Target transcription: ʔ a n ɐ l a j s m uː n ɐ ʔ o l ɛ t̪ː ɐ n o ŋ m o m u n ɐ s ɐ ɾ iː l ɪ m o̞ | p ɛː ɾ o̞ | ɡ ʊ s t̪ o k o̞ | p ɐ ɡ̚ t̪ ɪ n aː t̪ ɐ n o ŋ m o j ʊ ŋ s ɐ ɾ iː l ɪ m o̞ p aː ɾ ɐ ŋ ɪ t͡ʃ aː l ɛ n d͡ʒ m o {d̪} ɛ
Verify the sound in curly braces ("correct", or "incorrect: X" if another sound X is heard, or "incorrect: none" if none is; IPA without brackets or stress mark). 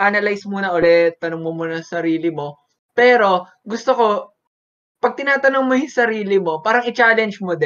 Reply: correct